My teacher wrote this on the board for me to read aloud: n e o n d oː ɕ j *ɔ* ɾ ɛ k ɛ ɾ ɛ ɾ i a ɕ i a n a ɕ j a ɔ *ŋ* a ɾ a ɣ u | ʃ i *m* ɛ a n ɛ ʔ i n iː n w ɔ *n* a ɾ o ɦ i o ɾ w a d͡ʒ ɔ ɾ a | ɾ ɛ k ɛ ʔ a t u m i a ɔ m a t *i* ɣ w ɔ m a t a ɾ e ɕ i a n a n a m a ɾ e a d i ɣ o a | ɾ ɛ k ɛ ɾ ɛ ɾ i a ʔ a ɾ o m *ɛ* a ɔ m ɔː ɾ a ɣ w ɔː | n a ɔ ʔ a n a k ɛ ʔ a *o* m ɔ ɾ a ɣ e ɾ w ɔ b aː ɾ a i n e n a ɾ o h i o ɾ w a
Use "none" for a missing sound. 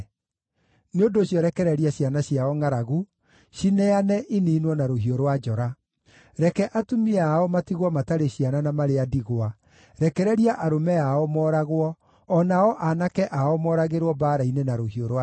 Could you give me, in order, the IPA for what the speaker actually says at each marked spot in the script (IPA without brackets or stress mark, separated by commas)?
ɔ, ŋ, n, n, i, ɛ, ɔ